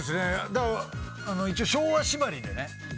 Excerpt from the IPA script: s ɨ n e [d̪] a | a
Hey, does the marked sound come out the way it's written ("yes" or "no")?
yes